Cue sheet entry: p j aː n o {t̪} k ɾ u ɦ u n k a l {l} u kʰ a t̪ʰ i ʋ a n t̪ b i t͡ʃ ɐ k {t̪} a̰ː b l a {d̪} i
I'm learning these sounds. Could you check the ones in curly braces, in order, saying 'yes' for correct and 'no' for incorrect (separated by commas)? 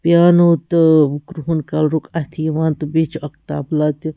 yes, no, yes, no